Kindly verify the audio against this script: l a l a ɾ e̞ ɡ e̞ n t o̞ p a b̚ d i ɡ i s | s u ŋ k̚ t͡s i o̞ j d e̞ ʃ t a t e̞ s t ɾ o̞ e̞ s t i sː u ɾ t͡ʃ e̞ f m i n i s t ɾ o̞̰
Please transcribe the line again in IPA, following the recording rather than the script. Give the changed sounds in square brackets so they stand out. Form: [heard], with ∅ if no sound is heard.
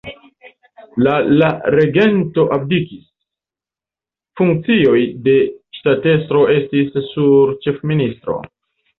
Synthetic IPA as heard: l a l a ɾ e̞ ɡ e̞ n t o̞ [ʔ] a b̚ d i [k] i s | [f] u ŋ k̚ t͡s i o̞ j d e̞ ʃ t a t e̞ s t ɾ o̞ e̞ s t i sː u ɾ t͡ʃ e̞ f m i n i s t ɾ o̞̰